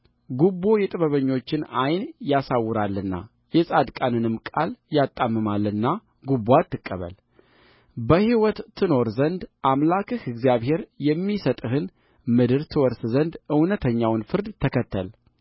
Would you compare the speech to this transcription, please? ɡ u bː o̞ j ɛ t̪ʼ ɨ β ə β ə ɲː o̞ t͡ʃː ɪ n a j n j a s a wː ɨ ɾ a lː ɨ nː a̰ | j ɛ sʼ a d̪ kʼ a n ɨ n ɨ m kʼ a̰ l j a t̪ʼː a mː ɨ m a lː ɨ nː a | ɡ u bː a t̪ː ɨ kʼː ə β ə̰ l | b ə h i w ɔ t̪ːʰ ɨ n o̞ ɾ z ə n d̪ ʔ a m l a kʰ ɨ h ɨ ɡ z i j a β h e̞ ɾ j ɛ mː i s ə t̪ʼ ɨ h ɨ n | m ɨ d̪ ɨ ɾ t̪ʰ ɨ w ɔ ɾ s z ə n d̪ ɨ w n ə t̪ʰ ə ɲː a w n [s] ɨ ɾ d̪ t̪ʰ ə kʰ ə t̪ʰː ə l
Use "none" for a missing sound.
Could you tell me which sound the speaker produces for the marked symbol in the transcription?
f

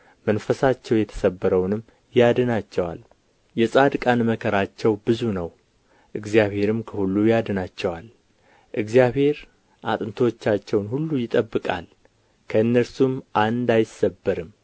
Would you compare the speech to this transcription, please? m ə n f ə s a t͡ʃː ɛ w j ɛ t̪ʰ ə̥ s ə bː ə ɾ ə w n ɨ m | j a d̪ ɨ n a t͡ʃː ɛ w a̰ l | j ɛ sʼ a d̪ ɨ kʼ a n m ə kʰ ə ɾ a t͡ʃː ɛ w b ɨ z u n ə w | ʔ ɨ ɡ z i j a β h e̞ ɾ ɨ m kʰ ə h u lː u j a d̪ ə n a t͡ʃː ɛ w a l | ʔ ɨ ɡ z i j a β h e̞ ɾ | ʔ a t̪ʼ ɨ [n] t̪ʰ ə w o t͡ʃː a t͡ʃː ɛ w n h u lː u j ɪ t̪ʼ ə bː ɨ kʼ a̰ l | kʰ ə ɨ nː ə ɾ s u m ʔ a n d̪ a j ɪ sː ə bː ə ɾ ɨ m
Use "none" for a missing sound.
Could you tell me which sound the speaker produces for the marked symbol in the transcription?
n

